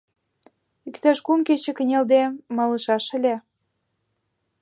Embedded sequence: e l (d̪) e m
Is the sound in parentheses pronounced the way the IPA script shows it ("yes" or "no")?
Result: yes